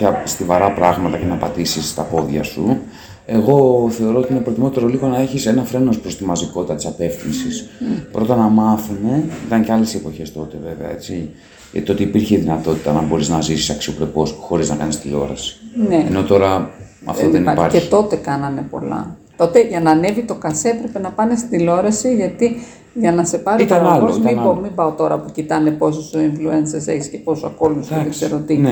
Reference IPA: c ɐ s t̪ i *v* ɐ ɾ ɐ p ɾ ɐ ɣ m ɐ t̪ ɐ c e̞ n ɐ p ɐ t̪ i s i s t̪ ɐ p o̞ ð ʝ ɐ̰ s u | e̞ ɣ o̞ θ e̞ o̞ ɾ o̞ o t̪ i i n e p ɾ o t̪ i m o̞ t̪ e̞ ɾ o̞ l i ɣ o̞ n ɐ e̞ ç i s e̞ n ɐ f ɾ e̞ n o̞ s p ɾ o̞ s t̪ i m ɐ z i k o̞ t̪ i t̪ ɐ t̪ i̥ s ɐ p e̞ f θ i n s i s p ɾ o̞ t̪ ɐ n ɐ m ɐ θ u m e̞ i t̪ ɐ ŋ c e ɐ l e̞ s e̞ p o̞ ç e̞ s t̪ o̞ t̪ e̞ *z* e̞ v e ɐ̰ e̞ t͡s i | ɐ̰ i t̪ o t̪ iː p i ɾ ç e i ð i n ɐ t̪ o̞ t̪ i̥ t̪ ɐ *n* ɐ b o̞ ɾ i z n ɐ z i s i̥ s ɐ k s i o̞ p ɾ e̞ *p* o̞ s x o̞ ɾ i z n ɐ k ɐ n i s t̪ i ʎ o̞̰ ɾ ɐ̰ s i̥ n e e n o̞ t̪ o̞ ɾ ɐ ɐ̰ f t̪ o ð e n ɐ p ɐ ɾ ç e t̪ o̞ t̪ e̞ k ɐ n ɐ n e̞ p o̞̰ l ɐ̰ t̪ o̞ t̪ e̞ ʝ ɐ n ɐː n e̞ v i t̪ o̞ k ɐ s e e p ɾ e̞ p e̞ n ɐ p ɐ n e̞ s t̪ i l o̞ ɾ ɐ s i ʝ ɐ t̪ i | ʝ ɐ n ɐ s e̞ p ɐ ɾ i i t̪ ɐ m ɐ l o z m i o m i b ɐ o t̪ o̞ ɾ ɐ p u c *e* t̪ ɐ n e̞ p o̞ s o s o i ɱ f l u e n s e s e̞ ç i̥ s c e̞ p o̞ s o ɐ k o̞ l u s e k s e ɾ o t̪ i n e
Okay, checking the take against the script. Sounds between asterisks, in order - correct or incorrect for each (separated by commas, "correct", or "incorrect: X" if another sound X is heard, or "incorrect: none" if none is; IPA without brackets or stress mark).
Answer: correct, incorrect: v, correct, correct, incorrect: i